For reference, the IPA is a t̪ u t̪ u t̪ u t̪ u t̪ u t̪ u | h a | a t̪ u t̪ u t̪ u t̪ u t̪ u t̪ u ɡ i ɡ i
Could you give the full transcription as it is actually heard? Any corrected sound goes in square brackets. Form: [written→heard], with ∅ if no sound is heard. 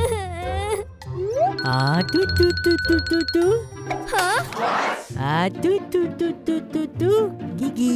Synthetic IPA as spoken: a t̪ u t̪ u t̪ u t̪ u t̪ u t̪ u | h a | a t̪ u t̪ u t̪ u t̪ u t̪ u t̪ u ɡ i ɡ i

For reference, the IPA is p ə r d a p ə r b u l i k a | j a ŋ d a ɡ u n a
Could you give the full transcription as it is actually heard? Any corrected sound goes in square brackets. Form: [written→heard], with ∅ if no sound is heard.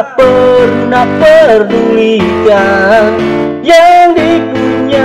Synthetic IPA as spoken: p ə r [d→n] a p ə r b u l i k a | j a ŋ d [a→i] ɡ u [n→ɲ] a

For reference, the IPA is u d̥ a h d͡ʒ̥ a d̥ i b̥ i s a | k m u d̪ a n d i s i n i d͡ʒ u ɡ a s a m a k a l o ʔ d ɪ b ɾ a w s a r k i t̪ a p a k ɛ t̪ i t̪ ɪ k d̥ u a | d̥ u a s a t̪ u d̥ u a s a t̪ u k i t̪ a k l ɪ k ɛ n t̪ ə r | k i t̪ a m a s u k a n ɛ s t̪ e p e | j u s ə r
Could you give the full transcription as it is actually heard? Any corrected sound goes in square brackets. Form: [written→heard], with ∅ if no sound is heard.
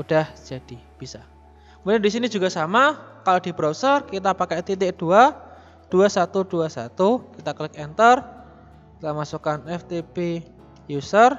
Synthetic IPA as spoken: u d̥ a h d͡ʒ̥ a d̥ i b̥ i s a | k m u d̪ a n d i s i n i d͡ʒ u ɡ a s a m a k a l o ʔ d [ɪ→i] b ɾ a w s [a→ə] r k i t̪ a p a k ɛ t̪ i t̪ ɪ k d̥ u a | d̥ u a s a t̪ u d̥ u a s a t̪ u k i t̪ a k l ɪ k ɛ n t̪ ə r | k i t̪ a m a s u k a n ɛ [s→f] t̪ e p e | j u s ə r

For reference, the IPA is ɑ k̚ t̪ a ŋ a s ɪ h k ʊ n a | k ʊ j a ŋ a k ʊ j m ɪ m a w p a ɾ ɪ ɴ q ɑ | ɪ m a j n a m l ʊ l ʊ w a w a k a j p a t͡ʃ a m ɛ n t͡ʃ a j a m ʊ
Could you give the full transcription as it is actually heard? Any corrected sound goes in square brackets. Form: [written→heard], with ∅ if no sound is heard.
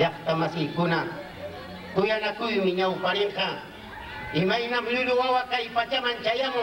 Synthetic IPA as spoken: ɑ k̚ t̪ a [ŋ→m] a s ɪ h k ʊ n a | k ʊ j a [ŋ→n] a k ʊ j m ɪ [m→ɲ] a w p a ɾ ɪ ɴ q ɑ | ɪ m a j n a m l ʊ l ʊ w a w a k a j p a t͡ʃ a m [ɛ→a] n t͡ʃ a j a m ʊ

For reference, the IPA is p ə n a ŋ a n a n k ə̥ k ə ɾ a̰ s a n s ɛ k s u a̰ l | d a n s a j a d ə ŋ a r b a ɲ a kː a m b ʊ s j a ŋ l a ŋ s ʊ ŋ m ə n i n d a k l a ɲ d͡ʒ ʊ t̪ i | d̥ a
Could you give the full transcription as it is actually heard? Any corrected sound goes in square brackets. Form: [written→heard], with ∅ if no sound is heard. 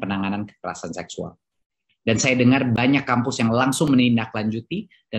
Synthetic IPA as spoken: p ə n a ŋ a n a n k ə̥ k ə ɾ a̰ s a n s ɛ k s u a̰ l | d a n s a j a d ə ŋ a r b a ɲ a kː a m [b→p] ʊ s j a ŋ l a ŋ s ʊ ŋ m ə n i n d a k l a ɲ d͡ʒ [ʊ→u] t̪ i | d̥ a

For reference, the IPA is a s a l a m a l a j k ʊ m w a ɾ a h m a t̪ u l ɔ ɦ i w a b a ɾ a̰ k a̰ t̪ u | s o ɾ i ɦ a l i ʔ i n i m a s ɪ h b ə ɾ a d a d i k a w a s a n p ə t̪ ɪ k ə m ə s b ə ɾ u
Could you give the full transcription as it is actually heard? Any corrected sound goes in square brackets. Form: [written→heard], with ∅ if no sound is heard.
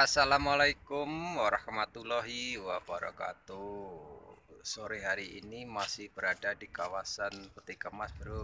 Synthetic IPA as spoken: a s a l a m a l a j k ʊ m w a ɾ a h m a t̪ u l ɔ ɦ i w a b a ɾ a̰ k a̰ t̪ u | s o ɾ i ɦ a [l→ɾ] i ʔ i n i m a s ɪ h b ə ɾ a d a d i k a w a s a n p ə t̪ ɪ k ə m [ə→a] s b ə ɾ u

